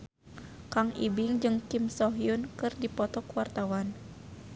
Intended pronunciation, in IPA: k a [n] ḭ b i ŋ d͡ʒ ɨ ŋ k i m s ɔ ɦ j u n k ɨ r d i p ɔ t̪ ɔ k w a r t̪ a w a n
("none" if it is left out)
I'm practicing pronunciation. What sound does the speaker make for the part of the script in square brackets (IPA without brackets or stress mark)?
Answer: ŋ